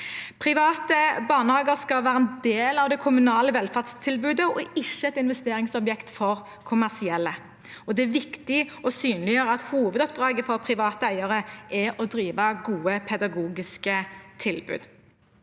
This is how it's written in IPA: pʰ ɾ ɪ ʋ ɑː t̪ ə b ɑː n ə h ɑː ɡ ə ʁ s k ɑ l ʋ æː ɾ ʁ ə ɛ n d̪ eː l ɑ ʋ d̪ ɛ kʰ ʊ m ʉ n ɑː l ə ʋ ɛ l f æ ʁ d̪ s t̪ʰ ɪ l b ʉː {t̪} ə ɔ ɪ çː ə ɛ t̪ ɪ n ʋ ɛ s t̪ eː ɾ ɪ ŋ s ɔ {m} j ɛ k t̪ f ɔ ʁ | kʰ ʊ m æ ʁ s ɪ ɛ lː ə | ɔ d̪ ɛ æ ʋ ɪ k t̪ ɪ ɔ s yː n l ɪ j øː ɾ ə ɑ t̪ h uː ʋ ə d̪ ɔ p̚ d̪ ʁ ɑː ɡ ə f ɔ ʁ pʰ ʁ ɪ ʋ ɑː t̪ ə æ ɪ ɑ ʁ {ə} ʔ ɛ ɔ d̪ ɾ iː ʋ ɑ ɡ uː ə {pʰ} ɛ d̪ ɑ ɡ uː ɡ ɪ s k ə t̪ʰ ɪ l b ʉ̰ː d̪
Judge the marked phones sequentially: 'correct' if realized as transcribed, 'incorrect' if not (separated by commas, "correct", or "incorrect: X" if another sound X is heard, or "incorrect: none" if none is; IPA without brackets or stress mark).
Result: incorrect: d̪, incorrect: b, correct, correct